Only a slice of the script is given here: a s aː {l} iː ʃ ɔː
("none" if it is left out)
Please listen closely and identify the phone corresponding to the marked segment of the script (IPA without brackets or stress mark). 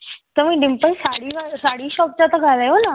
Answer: ɽ